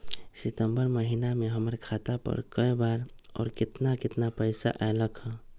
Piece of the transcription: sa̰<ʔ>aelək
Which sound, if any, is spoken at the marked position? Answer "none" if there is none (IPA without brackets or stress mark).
ʔ